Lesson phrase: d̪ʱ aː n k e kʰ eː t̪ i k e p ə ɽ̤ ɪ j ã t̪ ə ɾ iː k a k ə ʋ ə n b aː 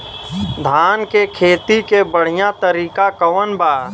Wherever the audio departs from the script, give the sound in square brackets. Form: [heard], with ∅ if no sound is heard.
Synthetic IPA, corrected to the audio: d̪ʱ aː n k e kʰ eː t̪ i k e [b] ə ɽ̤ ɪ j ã t̪ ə ɾ iː k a k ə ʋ ə n b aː